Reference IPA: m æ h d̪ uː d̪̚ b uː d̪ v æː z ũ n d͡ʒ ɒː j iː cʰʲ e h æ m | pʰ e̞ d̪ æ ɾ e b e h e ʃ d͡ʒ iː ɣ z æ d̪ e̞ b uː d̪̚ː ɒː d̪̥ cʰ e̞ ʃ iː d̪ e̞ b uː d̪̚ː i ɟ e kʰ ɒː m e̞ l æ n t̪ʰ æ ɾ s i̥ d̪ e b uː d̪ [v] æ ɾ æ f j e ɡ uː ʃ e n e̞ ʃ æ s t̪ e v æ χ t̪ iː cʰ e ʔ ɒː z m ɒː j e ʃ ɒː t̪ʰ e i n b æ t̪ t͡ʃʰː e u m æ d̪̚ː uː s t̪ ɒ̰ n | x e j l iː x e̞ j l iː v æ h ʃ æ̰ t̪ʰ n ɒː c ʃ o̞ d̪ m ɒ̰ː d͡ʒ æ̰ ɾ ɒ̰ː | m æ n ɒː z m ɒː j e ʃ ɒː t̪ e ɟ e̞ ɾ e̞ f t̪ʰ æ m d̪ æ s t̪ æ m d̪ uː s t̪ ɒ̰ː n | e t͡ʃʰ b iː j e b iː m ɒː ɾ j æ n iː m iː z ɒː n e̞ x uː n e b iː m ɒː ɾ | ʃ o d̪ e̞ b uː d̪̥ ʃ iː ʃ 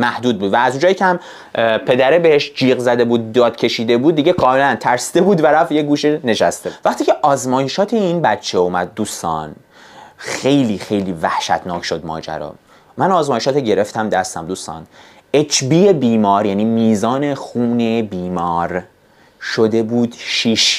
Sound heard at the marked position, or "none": v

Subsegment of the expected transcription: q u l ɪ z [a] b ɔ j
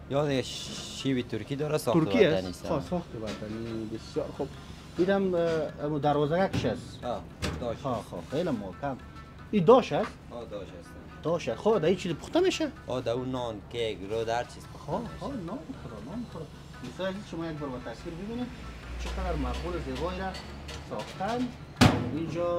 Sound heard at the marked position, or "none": e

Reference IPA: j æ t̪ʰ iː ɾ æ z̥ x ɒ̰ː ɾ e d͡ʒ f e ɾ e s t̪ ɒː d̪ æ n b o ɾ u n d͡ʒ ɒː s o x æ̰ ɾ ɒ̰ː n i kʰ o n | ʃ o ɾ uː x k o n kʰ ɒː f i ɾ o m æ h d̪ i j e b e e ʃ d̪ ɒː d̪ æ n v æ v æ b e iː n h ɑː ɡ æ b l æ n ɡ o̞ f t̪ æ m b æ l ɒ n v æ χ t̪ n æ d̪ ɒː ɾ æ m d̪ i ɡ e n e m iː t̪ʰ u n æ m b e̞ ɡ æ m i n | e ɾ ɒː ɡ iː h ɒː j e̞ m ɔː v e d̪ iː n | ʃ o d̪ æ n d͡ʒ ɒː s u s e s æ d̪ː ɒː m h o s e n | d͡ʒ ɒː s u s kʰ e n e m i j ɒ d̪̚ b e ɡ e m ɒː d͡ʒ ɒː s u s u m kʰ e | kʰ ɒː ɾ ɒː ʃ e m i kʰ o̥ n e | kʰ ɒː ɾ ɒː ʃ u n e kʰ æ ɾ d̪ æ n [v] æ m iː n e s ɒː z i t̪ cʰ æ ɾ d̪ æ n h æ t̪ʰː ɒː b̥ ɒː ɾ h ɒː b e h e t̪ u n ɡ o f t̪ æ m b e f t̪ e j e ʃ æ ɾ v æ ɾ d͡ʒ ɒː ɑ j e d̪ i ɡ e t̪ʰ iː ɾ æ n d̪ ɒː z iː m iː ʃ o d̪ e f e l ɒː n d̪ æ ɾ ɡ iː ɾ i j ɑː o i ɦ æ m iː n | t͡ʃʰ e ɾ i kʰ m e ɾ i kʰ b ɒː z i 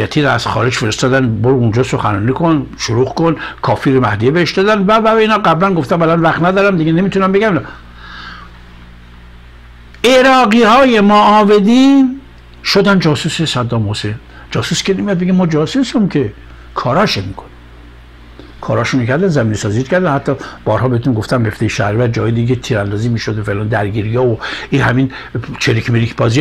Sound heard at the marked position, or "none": z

